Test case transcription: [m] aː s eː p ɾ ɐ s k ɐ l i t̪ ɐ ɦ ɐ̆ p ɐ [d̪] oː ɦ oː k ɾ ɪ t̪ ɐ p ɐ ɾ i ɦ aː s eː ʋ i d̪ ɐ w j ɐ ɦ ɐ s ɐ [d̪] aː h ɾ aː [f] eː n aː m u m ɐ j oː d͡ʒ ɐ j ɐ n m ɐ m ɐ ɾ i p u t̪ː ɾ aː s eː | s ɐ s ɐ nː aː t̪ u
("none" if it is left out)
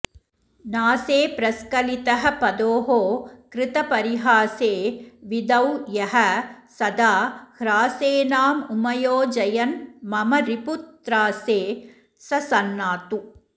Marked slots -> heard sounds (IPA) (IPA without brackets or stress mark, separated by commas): n, d̪, d̪, s